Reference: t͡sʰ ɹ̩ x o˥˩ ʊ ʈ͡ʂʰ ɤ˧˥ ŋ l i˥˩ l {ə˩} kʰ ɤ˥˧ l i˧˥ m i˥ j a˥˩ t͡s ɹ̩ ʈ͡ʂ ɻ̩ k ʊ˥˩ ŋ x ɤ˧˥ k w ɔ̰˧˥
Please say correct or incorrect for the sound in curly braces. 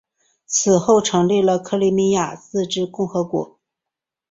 correct